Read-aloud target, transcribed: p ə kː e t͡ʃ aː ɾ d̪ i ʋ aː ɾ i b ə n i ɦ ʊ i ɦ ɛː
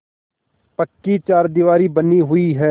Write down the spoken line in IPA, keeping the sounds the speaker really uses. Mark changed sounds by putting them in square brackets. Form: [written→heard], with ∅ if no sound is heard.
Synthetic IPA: p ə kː [e→i] t͡ʃ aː ɾ d̪ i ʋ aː ɾ i b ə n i ɦ ʊ i ɦ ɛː